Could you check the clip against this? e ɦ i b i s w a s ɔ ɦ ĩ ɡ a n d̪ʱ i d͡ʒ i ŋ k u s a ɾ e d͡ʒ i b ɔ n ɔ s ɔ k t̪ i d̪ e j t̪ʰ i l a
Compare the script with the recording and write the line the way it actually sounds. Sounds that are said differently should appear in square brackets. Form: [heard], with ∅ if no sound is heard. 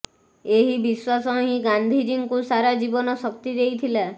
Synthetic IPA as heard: e ɦ i b i s w a s ɔ ɦ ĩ ɡ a n d̪ʱ i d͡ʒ i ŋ k u s a ɾ [a] d͡ʒ i b ɔ n ɔ s ɔ k t̪ i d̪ e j t̪ʰ i l a